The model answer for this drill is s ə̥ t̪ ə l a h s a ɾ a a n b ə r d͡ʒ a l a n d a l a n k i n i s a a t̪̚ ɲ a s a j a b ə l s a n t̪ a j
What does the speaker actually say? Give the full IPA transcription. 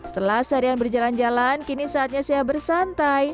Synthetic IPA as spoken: s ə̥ t̪ ə l a h s a ɾ i a n b ə r d͡ʒ a l a n d͡ʒ a l a n k i n i s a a t̪̚ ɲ a s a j a b ə r s a n t̪ a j